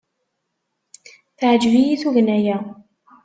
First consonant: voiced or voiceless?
voiceless